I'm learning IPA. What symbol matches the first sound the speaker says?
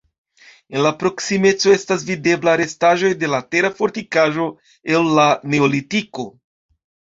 e̞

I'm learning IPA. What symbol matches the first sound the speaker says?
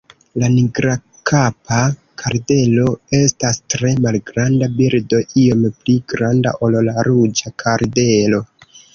l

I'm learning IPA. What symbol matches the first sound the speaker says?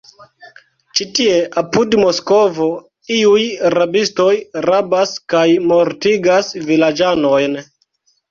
t͡ʃ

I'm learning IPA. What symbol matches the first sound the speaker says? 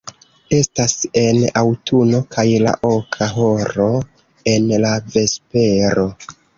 e̞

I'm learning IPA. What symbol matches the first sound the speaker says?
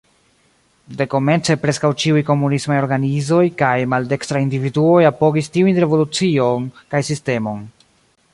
d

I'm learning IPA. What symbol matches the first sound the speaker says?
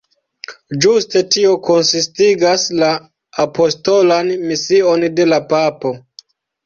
d͡ʒ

